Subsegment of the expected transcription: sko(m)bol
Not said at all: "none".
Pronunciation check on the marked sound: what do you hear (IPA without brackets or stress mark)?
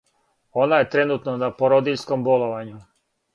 m